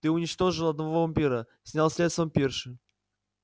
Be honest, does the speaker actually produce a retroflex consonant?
yes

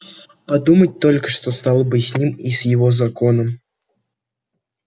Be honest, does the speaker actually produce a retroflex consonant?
yes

